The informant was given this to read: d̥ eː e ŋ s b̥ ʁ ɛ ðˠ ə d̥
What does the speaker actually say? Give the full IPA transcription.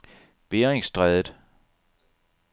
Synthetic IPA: b̥ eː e ŋ s d̥ ʁ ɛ ðˠ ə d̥

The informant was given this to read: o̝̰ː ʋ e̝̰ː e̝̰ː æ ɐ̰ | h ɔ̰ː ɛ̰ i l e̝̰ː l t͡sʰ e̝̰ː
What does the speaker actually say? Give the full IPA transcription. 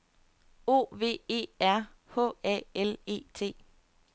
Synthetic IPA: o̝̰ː ʋ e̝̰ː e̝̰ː æ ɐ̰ | h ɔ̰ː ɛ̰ e l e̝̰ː t͡sʰ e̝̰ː

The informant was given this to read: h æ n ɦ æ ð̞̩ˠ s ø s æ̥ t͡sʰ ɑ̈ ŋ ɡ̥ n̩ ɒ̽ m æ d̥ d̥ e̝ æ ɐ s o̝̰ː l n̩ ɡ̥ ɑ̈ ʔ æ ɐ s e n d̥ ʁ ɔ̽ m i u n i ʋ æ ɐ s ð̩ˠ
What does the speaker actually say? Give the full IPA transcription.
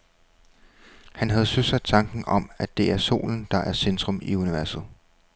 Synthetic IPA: h æ n ɦ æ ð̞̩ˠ s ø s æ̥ t͡sʰ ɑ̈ ŋ ɡ̥ n̩ ɒ̽ m æ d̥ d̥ e̝ æ ɐ s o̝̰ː l n̩ d̥ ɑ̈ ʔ æ ɐ s e n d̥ ʁ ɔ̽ m i u n i ʋ æ ɐ s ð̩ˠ

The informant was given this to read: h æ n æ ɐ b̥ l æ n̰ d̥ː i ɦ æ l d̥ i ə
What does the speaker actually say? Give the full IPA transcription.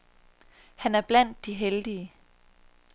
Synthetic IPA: h æ n æ ɐ b̥ l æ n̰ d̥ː i ɦ e l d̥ i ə

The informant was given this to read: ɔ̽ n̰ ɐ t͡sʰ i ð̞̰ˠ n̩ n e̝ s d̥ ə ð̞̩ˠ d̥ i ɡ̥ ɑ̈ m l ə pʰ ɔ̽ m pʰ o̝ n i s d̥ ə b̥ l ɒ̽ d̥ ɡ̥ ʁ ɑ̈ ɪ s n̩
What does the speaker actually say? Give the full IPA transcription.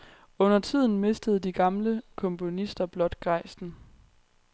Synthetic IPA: ɔ̽ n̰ ɐ t͡sʰ i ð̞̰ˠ n̩ m e̝ s d̥ ə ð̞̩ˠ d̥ i ɡ̥ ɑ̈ m l ə kʰ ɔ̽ m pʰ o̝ n i s d̥ ɐ b̥ l ɒ̽ d̥ ɡ̥ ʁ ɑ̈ ɪ s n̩

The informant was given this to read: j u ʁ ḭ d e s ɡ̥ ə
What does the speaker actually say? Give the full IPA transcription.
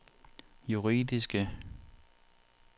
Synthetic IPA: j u ʁ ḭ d i s ɡ̥ ə

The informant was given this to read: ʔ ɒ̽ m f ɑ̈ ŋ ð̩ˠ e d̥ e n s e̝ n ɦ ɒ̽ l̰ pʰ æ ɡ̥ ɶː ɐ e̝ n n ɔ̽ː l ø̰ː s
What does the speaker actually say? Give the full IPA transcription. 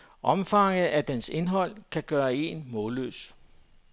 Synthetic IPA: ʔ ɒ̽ m f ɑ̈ ŋ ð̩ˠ æ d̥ e n s e̝ n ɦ ɒ̽ l̰ kʰ æ ɡ̥ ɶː ɐ e̝ n m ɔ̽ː l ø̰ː s

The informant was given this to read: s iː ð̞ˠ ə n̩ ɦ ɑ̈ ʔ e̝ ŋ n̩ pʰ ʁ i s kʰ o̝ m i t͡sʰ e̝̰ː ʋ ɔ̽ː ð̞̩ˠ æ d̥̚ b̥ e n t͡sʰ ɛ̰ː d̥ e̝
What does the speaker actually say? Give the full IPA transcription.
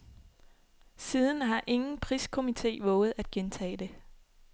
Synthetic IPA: s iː ð̞ˠ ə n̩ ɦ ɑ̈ ʔ e̝ ŋ n̩ pʰ ʁ i s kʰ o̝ m i t͡sʰ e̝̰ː ʋ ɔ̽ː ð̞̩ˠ æ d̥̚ ɡ̥ e n t͡sʰ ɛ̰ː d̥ e̝

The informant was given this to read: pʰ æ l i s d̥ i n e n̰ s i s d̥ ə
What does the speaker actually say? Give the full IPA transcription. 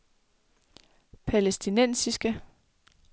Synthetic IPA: pʰ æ l e s d̥ i n e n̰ s i s ɡ̥ ə

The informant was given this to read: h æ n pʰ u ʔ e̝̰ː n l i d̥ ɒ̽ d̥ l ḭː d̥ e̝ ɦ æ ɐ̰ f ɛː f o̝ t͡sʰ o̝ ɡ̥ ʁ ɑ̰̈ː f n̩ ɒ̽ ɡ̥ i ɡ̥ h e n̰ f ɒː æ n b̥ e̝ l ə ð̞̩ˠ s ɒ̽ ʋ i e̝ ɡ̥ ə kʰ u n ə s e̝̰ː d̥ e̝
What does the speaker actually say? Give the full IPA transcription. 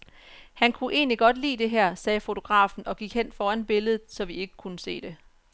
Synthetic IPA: h æ n kʰ u ʔ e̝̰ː n l i ɡ̥ ɒ̽ d̥ l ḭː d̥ e̝ ɦ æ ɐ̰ s ɛː f o̝ t͡sʰ o̝ ɡ̥ ʁ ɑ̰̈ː f n̩ ɒ̽ ɡ̥ i ɡ̥ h e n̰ f ɒː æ n b̥ e̝ l ə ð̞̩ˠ s ɒ̽ ʋ i e̝ ɡ̥ ə kʰ u n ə s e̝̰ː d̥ e̝

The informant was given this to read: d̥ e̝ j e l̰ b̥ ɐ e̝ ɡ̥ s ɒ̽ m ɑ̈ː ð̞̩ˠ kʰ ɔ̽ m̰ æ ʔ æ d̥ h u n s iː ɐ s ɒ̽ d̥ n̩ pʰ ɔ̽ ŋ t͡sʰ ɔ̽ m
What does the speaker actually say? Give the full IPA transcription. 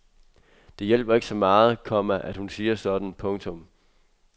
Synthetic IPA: d̥ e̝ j e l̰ b̥ ɐ e̝ ɡ̥ s ɒ̽ m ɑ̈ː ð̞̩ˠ kʰ ɒ̽ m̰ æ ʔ æ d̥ h u n s iː ɐ s ɒ̽ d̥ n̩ pʰ ɔ̽ ŋ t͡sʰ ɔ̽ m

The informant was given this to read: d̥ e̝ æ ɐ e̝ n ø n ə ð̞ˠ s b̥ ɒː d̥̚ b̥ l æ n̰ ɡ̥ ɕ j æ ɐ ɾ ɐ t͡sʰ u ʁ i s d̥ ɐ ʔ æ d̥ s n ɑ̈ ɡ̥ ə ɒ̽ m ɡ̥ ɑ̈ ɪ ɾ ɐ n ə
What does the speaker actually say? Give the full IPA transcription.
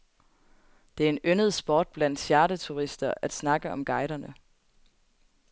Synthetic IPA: d̥ e̝ æ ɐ e̝ n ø n ə ð̞ˠ s b̥ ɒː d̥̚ b̥ l æ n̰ d̥ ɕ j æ ɐ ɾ ə t͡sʰ u ʁ i s d̥ ɐ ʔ æ d̥ s n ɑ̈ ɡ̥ ə ɒ̽ m ɡ̥ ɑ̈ ɪ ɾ ɐ n ə

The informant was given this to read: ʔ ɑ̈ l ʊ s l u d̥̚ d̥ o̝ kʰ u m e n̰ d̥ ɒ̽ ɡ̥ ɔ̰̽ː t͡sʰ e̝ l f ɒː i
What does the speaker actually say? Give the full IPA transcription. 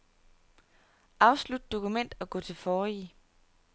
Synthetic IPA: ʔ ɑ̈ ʊ s l u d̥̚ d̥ o̝ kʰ u m e n̰ d̥ ɒ̽ ɡ̥ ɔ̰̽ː t͡sʰ e̝ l f ɒː i

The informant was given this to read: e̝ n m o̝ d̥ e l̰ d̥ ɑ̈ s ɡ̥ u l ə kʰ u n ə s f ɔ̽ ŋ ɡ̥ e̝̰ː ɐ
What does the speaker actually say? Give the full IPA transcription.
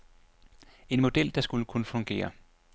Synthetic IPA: e̝ n m o̝ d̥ e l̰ d̥ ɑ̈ s ɡ̥ u l ə kʰ u n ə f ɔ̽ ŋ ɡ̥ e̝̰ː ɐ

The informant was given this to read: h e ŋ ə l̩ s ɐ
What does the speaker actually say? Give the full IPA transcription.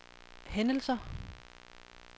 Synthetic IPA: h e n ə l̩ s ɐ

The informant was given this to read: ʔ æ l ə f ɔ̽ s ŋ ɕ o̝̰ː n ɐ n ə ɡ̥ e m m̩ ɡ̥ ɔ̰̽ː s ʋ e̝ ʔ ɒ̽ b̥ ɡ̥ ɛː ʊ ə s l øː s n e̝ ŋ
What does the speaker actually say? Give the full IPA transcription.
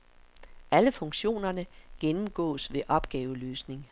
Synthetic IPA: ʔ æ l ə f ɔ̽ ŋ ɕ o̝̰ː n ɐ n ə ɡ̥ e n m̩ ɡ̥ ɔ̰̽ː s ʋ e̝ ʔ ɒ̽ b̥ ɡ̥ ɛː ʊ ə l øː s n e̝ ŋ

